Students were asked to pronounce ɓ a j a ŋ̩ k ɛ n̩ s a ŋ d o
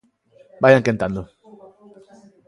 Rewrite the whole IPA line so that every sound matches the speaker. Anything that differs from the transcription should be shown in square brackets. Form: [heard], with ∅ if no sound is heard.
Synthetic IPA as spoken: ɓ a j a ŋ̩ k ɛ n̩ [t] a [n] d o